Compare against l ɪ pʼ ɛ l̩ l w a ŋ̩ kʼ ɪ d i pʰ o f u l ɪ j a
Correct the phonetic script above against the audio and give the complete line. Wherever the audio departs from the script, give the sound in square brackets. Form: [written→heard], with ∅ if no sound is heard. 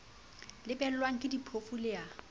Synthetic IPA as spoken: l ɪ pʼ ɛ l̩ l w a ŋ̩ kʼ ɪ d i pʰ o f u l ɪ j a